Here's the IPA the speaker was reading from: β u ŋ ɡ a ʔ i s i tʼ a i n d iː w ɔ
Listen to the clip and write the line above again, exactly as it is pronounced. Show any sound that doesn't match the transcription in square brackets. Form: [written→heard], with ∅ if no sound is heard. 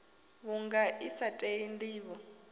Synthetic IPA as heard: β u ŋ ɡ a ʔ i s [i→a] tʼ [a→e] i n d iː [w→β] ɔ